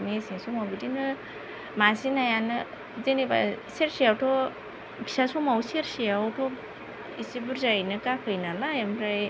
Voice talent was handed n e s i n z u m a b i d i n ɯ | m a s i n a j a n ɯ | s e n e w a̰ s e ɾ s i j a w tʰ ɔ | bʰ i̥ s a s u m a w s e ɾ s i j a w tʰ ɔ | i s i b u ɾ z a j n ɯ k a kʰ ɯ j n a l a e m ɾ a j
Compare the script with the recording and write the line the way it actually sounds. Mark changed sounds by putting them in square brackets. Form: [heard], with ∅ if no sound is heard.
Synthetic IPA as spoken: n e s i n [s] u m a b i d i n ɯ | m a s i n a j a n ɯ | [z] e n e [b] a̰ s e ɾ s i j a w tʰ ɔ | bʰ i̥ s a s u m a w s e ɾ s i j a w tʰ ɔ | i s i b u ɾ z a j n ɯ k a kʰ ɯ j n a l a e m ɾ a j